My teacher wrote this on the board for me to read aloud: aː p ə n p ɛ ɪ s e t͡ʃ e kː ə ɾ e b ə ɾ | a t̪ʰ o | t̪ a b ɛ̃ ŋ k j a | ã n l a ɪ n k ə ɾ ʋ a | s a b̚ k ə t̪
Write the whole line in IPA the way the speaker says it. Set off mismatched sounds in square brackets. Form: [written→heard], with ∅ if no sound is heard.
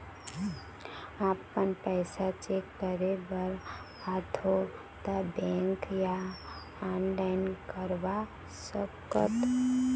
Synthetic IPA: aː p ə n p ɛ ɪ s [e→a] t͡ʃ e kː ə ɾ e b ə ɾ | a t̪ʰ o | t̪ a b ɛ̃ ŋ k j a | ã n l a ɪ n k ə ɾ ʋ a | s [a→ə] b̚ k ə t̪